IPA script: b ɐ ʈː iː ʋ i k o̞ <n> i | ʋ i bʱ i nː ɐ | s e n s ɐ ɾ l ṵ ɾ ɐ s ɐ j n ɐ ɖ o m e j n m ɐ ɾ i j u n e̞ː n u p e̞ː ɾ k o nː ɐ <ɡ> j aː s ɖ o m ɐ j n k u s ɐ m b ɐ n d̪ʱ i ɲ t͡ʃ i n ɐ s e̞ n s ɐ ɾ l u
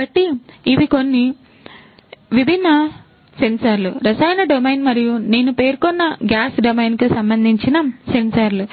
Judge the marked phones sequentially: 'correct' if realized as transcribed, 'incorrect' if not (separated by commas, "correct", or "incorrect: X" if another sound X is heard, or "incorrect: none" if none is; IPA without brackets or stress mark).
incorrect: nː, correct